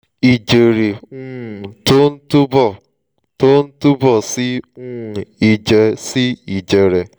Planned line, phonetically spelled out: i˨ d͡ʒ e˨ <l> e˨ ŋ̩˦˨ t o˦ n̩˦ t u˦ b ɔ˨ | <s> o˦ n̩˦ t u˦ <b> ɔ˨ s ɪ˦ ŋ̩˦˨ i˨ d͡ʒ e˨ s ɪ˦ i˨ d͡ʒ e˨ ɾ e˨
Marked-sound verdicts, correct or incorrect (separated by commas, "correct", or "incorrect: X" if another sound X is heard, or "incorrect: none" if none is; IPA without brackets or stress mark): incorrect: ɾ, incorrect: t, correct